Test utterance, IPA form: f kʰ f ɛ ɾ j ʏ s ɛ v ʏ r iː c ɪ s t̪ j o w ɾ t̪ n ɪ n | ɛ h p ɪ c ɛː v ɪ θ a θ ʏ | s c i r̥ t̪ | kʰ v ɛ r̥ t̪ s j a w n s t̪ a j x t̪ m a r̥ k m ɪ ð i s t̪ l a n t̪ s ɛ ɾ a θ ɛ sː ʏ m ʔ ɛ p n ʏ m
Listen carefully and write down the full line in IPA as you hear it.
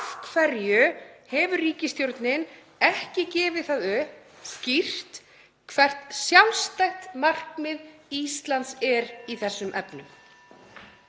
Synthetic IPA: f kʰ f ɛ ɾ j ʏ h ɛ v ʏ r iː c ɪ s t̪ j o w ɾ t̪ n ɪ n | ɛ h c ɪ c ɛː v ɪ θ a ð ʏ | s c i r̥ t̪ | kʰ v ɛ r̥ t̪ s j a w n s t̪ a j x t̪ m a r̥ k m ɪ ð i s t̪ l a n t̪ s ɛ ɾ i θ ɛ sː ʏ m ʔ ɛ p n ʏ m